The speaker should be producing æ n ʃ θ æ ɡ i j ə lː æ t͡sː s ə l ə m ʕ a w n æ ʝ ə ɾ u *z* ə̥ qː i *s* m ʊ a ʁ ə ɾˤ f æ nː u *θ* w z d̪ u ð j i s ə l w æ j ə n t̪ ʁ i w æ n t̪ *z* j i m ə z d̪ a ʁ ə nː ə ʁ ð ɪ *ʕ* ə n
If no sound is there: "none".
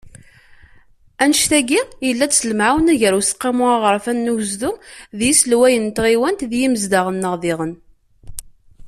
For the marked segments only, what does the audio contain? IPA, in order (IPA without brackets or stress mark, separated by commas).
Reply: s, none, none, ð, ʁ